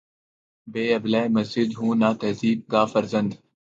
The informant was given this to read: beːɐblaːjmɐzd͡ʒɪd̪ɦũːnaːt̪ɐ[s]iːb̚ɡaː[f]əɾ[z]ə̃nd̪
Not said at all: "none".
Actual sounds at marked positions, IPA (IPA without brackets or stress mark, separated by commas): z, f, z